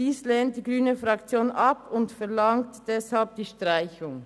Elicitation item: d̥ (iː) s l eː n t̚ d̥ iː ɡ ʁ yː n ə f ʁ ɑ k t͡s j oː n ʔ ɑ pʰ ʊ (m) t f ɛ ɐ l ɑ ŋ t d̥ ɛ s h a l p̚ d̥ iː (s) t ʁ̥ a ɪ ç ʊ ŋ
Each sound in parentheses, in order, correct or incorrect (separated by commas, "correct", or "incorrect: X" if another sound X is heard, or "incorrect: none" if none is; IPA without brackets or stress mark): correct, incorrect: n, incorrect: ʃ